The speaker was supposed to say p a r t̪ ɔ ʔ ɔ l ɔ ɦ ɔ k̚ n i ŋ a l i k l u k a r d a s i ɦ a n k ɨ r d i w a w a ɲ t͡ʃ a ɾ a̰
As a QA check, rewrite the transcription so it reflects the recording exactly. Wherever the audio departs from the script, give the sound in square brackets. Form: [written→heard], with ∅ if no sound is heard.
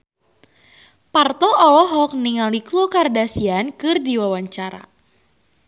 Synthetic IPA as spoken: p a r t̪ ɔ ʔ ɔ l ɔ ɦ ɔ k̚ n i ŋ a l i k l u k a r d a s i [ɦ→∅] a n k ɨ r d i w a w a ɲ t͡ʃ a ɾ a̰